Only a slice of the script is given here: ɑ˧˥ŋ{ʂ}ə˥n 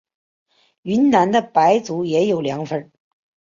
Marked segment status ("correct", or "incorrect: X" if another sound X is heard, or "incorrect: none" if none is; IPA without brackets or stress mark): incorrect: f